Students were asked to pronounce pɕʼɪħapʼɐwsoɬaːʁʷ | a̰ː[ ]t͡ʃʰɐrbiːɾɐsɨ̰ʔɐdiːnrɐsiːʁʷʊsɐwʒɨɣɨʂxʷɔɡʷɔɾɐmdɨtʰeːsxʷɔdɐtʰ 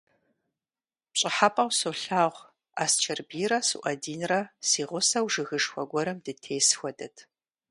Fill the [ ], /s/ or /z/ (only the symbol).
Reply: s